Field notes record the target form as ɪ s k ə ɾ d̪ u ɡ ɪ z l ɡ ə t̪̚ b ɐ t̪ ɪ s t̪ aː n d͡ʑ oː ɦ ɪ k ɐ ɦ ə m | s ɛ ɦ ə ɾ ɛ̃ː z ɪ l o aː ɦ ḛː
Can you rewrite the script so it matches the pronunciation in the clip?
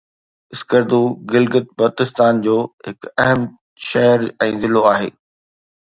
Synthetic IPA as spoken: ɪ s k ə ɾ d̪ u ɡ ɪ l ɡ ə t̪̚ b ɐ t̪ ɪ s t̪ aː n d͡ʑ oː ɦ ɪ k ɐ ɦ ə m | ʃ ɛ ɦ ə ɾ ɛ̃ː z ɪ l o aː ɦ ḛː